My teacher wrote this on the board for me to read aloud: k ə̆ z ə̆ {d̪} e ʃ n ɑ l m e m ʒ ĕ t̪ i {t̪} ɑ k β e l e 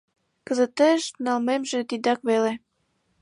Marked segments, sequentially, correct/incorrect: incorrect: t̪, incorrect: d̪

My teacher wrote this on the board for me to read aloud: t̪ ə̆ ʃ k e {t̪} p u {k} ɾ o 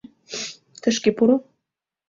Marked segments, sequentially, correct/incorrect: incorrect: none, incorrect: none

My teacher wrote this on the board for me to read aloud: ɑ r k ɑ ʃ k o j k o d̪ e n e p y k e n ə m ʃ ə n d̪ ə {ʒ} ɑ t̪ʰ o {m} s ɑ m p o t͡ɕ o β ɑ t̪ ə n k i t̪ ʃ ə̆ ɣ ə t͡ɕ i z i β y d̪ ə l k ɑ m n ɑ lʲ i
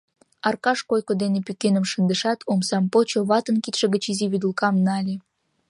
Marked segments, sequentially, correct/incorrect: incorrect: ʃ, correct

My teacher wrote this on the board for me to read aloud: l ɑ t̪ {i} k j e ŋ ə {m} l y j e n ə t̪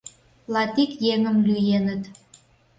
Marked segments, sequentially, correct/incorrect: correct, correct

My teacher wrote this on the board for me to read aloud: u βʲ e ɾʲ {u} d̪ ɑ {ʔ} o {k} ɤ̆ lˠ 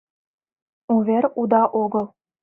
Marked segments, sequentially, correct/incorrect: correct, correct, incorrect: ɡ

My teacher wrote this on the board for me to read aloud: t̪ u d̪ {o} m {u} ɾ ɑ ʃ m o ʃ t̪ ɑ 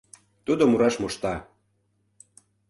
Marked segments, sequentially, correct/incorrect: correct, correct

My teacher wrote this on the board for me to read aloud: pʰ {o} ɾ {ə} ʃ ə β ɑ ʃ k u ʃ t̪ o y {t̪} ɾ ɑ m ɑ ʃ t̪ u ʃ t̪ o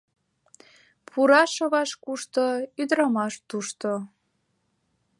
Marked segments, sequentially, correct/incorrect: incorrect: u, incorrect: ɑ, incorrect: d̪

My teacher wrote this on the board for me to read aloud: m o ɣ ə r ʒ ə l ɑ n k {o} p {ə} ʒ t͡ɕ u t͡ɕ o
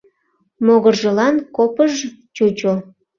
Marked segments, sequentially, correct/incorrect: correct, correct

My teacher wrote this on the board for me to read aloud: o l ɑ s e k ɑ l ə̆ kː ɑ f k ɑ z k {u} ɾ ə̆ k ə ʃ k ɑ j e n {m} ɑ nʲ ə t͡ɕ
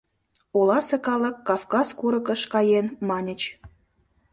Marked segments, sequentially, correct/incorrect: correct, correct

